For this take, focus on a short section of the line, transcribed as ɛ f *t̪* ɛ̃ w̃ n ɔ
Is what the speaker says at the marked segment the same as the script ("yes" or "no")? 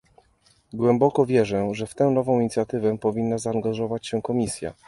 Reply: yes